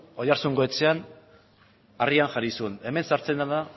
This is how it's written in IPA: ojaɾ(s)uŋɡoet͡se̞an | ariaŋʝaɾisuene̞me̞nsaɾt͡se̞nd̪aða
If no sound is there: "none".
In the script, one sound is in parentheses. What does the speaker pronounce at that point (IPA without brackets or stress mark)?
s